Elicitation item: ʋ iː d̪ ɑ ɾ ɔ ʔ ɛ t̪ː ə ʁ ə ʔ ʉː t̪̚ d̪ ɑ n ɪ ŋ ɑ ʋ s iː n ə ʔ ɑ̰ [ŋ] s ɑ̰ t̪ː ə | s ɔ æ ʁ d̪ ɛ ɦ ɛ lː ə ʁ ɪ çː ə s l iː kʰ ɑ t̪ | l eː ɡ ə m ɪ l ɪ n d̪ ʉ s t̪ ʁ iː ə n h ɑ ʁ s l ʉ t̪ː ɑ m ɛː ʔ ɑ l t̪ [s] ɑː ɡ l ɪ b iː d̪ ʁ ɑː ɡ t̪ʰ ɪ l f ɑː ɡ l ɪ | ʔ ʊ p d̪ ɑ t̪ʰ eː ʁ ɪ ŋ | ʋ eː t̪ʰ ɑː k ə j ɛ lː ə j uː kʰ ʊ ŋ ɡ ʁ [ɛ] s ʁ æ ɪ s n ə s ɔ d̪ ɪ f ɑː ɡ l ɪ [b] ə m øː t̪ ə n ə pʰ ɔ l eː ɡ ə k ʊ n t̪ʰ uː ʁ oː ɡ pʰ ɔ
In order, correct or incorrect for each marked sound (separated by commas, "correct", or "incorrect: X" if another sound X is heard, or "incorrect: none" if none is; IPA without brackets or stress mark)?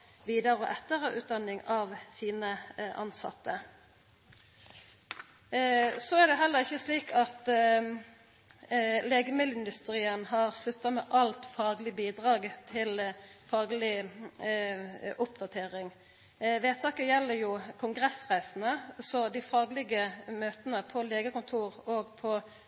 incorrect: n, incorrect: f, correct, incorrect: ɡ